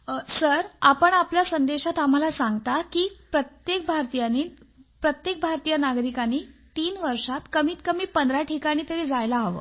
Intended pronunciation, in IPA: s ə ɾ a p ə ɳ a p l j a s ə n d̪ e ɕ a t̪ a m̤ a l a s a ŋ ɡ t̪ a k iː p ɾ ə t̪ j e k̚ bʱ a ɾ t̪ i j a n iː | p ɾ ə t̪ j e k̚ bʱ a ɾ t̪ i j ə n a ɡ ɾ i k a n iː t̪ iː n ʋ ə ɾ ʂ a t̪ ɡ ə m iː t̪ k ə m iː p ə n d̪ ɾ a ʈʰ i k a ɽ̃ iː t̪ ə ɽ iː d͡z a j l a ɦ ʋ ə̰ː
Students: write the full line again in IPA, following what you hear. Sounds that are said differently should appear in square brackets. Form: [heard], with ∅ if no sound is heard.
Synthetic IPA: s ə ɾ a p ə ɳ a p l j a s ə n d̪ e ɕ a t̪ a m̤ a l a s a ŋ ɡ t̪ a k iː p ɾ ə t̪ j e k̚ bʱ a ɾ t̪ i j a n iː | p ɾ ə t̪ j e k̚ bʱ a ɾ t̪ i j ə n a ɡ ɾ i k a n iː t̪ iː n ʋ ə ɾ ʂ a t̪ [k] ə m iː t̪ k ə m iː p ə n d̪ ɾ a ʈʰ i k a ɽ̃ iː t̪ ə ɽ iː d͡z a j l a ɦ ʋ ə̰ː